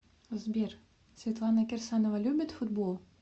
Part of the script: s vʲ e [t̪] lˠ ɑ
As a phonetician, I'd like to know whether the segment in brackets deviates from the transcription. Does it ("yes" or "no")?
no